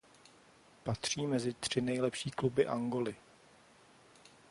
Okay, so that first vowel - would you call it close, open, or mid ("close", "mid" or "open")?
open